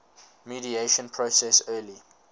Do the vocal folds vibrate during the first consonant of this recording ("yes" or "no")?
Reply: yes